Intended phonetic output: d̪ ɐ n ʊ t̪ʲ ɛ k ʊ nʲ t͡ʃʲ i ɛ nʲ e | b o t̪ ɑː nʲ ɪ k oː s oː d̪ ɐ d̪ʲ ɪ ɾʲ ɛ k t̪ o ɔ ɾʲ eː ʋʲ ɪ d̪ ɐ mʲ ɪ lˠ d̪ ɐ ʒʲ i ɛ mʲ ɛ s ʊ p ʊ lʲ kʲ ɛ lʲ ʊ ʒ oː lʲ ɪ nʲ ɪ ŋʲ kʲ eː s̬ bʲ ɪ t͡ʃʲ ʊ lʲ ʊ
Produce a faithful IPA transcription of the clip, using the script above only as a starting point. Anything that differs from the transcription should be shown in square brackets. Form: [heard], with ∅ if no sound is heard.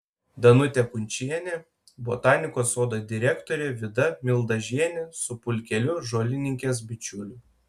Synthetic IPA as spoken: d̪ ɐ n ʊ t̪ʲ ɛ k ʊ nʲ t͡ʃʲ i ɛ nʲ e | b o t̪ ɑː nʲ ɪ k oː s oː d̪ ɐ d̪ʲ ɪ ɾʲ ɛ k t̪ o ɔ ɾʲ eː ʋʲ ɪ d̪ ɐ mʲ ɪ lˠ d̪ ɐ ʒʲ i ɛ [nʲ] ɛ s ʊ p ʊ lʲ kʲ ɛ lʲ ʊ ʒ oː lʲ ɪ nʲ ɪ ŋʲ kʲ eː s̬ bʲ ɪ t͡ʃʲ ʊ lʲ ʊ